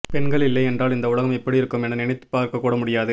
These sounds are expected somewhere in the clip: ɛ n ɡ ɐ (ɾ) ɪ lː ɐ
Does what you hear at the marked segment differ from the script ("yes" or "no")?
yes